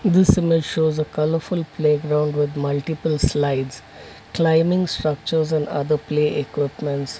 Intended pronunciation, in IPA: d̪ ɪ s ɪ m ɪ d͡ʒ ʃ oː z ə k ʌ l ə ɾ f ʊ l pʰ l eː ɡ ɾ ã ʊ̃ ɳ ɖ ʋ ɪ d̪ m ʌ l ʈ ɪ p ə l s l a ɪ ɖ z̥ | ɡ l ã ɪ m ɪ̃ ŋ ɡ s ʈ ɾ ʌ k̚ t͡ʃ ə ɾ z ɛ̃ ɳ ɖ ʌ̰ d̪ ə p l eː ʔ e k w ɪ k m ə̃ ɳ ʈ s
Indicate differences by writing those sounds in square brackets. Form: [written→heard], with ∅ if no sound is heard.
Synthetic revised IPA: d̪ ɪ s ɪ m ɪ d͡ʒ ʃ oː z ə k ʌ l ə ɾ f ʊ l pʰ l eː ɡ ɾ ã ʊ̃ ɳ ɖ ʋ ɪ d̪ m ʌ l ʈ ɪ p ə l s l a ɪ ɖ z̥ | [ɡ→k] l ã ɪ m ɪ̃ ŋ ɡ s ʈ ɾ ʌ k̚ t͡ʃ ə ɾ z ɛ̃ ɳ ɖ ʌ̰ d̪ ə p l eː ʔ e k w ɪ [k→p] m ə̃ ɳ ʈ s